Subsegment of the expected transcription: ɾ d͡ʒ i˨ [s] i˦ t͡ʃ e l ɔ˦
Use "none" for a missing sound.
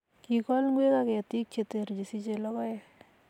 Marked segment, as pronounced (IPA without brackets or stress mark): s